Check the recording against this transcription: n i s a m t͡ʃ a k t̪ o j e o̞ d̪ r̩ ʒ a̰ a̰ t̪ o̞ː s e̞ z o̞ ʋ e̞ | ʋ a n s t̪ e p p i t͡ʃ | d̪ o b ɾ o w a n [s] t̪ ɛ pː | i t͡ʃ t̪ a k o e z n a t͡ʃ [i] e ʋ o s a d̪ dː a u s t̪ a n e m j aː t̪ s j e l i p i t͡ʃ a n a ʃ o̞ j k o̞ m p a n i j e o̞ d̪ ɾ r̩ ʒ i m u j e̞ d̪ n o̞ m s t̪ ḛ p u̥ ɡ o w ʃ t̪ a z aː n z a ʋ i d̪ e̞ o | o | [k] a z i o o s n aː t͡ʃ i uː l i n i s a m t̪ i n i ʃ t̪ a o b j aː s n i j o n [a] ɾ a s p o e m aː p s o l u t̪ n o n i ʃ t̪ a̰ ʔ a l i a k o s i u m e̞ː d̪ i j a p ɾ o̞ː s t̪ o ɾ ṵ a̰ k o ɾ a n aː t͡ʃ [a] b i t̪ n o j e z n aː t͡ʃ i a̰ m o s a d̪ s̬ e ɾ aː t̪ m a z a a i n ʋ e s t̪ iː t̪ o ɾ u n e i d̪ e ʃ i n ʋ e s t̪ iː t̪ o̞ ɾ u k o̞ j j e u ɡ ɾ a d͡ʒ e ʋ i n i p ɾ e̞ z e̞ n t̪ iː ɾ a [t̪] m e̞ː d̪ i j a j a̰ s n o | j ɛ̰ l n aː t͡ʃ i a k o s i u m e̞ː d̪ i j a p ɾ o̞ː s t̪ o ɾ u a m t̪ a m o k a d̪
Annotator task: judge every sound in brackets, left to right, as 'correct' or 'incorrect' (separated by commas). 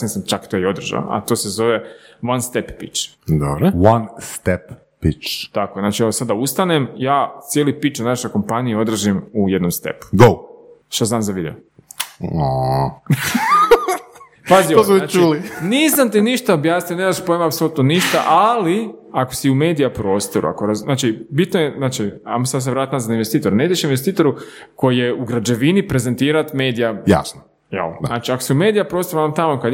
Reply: correct, correct, incorrect, incorrect, incorrect, correct